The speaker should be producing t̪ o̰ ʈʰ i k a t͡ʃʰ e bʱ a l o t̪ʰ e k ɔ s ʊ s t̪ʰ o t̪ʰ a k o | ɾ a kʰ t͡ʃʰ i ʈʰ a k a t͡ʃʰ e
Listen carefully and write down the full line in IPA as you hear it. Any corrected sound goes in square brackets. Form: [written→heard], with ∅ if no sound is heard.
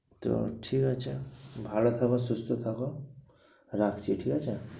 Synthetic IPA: t̪ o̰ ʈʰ i k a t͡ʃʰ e bʱ a l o t̪ʰ [e→a] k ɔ s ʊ s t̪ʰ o t̪ʰ a k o | ɾ a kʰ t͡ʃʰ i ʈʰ [a→i] k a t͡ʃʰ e